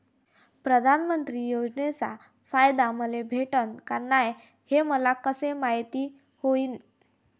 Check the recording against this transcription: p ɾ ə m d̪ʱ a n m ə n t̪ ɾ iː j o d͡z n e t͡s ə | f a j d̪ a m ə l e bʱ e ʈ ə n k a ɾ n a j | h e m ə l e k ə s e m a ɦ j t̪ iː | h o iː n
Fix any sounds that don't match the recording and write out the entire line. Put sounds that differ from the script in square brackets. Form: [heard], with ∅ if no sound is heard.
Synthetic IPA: p ɾ ə [∅] d̪ʱ a n m ə n t̪ ɾ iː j o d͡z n e t͡s [a] | f a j d̪ a m ə l e bʱ e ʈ ə n k a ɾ n a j | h e m ə l [a] k ə s e m a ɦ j t̪ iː | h o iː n